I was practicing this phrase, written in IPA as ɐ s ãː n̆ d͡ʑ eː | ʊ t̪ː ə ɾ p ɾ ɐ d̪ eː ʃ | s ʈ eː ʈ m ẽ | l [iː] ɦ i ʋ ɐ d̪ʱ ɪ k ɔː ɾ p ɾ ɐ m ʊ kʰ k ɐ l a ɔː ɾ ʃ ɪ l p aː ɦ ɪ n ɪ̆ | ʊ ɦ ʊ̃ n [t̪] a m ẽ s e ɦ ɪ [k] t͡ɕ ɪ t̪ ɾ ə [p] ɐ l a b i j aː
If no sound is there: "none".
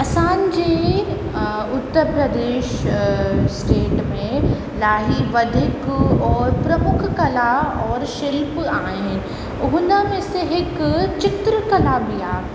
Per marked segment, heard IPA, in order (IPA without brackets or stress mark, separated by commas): aː, d̪, k, k